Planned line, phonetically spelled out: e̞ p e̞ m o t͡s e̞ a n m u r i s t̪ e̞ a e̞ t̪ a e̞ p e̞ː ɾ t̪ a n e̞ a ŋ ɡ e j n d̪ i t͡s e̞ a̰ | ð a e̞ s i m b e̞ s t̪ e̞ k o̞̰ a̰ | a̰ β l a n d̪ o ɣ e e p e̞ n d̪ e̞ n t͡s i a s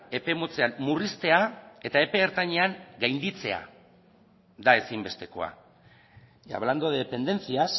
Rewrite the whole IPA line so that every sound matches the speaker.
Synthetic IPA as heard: e̞ p e̞ m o t͡s e̞ a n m u r i s t̪ e̞ a e̞ t̪ a e̞ p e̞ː ɾ t̪ a ɲ e̞ a ŋ ɡ a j n d̪ i t͡s e̞ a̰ | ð a e̞ s i m b e̞ s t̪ e̞ k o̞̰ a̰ | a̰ β l a n d̪ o ð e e p e̞ n d̪ e̞ n t͡s i a s